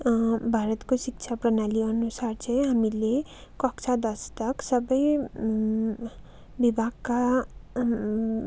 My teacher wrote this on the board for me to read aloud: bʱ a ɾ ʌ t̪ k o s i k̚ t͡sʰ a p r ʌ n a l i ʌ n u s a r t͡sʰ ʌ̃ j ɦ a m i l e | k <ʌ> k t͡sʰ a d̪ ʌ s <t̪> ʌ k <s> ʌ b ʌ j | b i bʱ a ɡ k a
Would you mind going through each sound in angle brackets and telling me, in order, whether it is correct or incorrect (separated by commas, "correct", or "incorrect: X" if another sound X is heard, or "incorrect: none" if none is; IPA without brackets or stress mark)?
correct, correct, correct